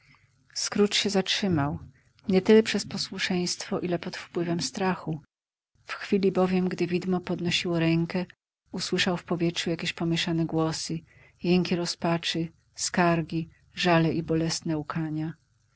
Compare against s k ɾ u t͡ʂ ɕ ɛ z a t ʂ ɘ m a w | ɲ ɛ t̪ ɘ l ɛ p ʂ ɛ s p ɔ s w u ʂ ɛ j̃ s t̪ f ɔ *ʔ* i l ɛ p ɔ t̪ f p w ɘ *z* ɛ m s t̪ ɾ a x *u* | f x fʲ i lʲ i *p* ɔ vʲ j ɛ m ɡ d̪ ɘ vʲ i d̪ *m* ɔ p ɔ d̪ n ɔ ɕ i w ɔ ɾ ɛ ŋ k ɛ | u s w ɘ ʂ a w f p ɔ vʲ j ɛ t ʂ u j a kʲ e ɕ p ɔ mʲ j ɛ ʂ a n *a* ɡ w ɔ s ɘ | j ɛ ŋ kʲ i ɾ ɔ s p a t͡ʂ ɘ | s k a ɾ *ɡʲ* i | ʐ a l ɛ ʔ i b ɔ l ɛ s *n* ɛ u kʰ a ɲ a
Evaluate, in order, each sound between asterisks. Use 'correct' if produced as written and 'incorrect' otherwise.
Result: correct, incorrect, correct, incorrect, correct, incorrect, correct, correct

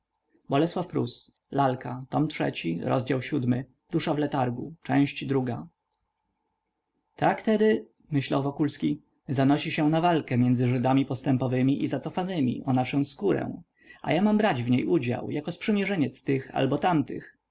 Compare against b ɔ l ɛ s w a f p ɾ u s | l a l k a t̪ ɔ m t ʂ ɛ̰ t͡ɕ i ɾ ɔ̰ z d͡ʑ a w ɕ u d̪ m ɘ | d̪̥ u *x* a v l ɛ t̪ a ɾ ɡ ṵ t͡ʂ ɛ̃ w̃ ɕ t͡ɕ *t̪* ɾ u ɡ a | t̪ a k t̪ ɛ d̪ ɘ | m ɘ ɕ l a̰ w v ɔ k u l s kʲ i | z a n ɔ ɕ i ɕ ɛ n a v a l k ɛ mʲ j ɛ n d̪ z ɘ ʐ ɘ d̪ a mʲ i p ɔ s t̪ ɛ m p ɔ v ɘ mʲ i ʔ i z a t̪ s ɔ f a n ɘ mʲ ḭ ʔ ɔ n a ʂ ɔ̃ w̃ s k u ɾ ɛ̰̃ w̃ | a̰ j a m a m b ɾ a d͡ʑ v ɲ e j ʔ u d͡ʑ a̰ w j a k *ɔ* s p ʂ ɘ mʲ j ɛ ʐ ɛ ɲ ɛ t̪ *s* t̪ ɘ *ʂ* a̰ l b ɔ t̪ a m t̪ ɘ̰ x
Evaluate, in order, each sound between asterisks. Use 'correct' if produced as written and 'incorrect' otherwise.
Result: incorrect, incorrect, correct, correct, incorrect

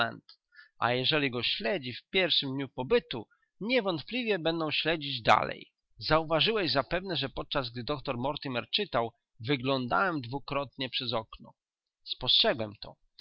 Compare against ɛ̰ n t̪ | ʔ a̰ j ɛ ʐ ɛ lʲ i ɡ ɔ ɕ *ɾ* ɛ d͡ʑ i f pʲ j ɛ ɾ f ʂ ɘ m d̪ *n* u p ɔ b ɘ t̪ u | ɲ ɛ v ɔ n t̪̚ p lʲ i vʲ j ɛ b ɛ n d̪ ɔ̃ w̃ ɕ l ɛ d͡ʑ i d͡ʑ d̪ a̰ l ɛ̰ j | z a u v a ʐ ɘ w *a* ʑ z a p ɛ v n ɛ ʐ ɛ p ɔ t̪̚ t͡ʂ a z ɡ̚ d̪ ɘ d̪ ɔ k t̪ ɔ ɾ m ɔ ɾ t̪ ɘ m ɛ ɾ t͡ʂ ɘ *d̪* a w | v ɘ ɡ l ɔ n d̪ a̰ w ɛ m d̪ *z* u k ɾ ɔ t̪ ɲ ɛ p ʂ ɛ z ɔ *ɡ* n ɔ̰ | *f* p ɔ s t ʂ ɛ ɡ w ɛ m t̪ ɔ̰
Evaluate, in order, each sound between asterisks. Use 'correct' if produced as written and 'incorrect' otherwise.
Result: incorrect, incorrect, incorrect, incorrect, incorrect, incorrect, incorrect

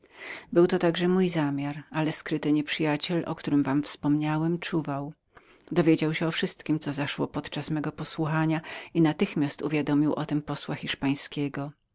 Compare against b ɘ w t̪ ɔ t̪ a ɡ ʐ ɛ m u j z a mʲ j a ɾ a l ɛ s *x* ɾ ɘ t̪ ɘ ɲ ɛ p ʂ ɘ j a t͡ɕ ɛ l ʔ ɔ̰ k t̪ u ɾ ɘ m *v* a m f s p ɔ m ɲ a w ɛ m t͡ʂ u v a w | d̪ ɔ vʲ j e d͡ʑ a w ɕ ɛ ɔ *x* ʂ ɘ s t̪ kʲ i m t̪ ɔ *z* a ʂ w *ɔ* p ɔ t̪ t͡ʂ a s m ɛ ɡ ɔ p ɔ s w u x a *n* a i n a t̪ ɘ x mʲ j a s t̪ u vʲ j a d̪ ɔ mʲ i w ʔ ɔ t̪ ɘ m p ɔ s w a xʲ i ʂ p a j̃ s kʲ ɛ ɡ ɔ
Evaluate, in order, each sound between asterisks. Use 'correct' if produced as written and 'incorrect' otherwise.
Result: incorrect, correct, incorrect, correct, correct, incorrect

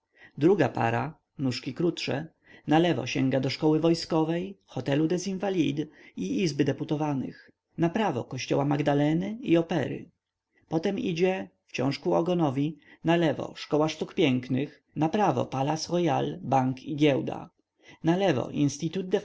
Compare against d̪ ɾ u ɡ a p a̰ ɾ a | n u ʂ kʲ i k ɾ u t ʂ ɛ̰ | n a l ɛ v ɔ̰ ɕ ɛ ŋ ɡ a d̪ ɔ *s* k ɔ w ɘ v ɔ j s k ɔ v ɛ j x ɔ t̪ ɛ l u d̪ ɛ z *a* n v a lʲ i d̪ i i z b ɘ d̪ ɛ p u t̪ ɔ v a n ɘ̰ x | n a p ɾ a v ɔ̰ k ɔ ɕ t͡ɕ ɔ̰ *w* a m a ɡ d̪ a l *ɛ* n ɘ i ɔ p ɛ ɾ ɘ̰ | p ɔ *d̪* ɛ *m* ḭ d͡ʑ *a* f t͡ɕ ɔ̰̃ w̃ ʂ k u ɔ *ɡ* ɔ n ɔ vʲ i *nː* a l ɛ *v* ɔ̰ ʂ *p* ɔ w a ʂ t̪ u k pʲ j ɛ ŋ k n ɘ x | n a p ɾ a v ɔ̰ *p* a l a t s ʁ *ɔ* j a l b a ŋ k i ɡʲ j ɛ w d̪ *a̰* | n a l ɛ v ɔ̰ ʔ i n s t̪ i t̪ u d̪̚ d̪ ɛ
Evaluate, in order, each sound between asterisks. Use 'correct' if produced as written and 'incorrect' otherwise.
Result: incorrect, incorrect, correct, correct, incorrect, correct, incorrect, correct, incorrect, correct, incorrect, correct, correct, correct

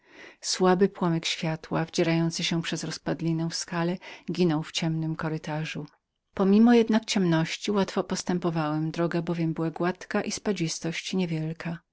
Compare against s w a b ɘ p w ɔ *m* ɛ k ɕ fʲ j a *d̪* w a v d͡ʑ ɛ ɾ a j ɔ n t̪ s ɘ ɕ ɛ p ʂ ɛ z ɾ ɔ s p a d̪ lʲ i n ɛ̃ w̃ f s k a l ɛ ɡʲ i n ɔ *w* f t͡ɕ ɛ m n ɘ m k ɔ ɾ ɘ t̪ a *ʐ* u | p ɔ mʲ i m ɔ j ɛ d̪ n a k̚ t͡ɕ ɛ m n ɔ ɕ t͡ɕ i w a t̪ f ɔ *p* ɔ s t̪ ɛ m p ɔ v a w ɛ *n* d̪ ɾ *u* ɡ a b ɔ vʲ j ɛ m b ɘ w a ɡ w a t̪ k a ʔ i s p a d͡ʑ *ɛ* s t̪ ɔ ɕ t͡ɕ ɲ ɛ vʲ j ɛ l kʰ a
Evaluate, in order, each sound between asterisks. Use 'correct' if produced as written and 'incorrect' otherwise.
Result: correct, incorrect, correct, correct, correct, incorrect, incorrect, incorrect

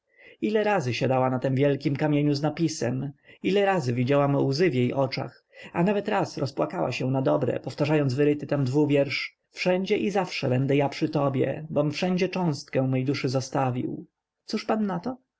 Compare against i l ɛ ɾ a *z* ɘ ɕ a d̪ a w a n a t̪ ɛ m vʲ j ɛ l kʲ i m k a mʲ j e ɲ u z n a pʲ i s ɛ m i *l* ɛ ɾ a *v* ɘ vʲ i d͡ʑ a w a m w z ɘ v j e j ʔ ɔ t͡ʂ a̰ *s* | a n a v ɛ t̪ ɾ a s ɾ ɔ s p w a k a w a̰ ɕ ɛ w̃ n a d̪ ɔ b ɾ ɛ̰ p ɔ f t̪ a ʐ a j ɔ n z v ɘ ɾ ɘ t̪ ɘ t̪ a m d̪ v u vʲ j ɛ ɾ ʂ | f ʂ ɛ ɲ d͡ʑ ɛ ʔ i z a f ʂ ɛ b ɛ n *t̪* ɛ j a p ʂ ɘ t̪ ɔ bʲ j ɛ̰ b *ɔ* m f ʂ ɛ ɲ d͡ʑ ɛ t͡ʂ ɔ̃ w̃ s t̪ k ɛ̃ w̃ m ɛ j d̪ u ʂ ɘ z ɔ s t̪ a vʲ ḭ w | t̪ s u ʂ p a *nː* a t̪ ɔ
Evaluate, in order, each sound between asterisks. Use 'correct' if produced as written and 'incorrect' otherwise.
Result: correct, correct, incorrect, incorrect, incorrect, correct, correct

